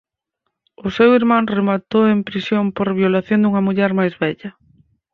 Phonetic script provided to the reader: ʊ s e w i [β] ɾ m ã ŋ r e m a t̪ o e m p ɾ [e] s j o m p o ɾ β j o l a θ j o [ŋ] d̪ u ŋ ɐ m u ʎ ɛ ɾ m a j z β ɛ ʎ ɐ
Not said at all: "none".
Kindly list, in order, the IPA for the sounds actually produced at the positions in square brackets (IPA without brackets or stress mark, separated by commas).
none, i, n